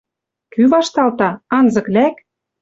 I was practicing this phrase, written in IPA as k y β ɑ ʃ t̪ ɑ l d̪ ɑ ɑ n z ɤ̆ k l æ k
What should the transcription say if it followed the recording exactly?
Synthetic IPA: k y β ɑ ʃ t̪ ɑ l t̪ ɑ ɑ n z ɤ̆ k l æ k